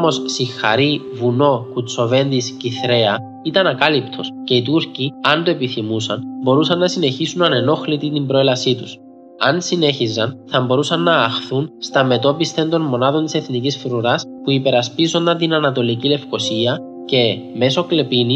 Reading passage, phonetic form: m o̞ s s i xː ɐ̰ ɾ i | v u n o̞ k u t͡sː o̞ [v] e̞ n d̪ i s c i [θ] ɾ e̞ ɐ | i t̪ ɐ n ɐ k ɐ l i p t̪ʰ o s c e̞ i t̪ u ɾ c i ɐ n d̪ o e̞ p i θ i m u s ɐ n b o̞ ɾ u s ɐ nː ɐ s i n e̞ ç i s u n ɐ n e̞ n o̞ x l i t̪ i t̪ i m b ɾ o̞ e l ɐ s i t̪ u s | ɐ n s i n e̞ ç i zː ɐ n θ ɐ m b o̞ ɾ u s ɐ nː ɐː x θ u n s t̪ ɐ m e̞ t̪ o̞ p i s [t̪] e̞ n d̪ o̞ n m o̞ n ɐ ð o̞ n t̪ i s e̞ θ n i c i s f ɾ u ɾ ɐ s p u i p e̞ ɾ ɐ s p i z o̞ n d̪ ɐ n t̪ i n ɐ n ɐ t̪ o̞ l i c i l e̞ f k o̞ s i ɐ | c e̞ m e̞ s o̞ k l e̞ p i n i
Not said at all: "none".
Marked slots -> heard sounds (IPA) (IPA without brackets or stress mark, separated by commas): v, θ, t̪